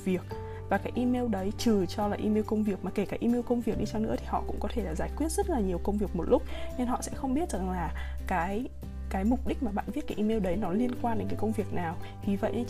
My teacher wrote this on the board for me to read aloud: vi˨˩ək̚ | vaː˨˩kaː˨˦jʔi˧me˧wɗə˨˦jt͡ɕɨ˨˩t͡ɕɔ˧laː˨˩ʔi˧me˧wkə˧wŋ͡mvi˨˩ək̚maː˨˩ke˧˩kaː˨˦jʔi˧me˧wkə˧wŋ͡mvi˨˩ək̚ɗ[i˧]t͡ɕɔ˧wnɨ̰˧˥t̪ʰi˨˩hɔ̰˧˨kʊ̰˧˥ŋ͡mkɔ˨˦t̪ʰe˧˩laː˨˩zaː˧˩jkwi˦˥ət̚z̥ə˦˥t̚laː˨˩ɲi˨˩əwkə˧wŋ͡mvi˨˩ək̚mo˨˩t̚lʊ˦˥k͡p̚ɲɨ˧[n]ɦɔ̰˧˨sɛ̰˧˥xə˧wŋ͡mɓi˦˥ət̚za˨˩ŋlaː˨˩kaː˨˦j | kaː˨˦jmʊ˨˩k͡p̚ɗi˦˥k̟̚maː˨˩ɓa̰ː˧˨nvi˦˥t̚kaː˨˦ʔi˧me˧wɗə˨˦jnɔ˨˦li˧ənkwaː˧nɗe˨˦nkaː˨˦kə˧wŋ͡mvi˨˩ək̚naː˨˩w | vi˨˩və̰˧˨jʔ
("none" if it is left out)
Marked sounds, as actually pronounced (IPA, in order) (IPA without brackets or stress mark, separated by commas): i˧, n